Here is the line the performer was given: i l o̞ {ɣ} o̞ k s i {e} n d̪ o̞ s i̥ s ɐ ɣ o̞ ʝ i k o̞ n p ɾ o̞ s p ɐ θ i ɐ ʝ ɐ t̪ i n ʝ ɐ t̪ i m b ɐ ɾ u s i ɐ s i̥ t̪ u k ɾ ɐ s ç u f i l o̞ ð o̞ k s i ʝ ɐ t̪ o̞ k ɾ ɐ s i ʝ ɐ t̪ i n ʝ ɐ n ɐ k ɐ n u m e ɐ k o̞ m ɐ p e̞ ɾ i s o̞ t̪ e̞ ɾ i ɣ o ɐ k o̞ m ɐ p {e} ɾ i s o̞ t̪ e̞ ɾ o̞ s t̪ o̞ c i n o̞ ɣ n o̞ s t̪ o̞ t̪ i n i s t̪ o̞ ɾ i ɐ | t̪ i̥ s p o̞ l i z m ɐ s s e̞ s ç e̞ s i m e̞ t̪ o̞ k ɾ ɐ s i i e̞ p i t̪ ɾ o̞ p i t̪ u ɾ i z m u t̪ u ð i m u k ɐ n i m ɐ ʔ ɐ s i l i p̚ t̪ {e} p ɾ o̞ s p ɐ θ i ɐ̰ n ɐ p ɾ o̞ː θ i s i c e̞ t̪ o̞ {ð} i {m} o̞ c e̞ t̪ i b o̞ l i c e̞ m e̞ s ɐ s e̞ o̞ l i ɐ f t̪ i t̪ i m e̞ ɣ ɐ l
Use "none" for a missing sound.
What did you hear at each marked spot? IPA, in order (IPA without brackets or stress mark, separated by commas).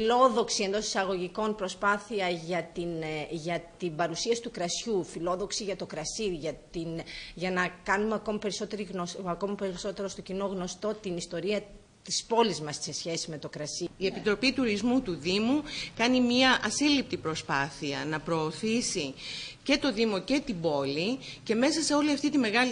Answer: ð, e, e, i, ð, m